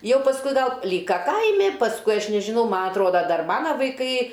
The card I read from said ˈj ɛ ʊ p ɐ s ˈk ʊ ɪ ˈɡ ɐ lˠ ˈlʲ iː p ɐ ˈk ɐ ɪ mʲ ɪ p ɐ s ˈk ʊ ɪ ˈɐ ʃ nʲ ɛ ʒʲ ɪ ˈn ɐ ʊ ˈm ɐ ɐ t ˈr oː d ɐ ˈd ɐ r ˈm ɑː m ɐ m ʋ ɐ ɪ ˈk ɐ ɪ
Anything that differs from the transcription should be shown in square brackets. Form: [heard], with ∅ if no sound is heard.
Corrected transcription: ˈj ɛ ʊ p ɐ s ˈk ʊ ɪ ˈɡ ɐ lˠ ˈlʲ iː [k] ɐ ˈk ɐ ɪ mʲ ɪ p ɐ s ˈk ʊ ɪ ˈɐ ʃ nʲ ɛ ʒʲ ɪ ˈn ɐ ʊ ˈm ɐ ɐ t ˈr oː d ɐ ˈd ɐ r ˈm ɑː [n] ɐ [∅] ʋ ɐ ɪ ˈk ɐ ɪ